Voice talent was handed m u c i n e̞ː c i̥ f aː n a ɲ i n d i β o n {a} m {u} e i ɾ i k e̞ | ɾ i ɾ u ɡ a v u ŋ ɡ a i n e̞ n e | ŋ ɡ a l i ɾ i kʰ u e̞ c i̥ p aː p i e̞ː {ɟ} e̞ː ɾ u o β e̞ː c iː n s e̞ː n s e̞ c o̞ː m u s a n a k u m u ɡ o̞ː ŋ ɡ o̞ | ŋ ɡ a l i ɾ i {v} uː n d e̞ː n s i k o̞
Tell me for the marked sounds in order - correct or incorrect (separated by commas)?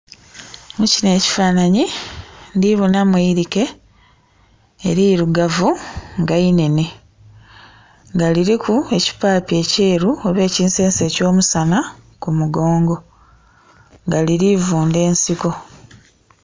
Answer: correct, incorrect, incorrect, correct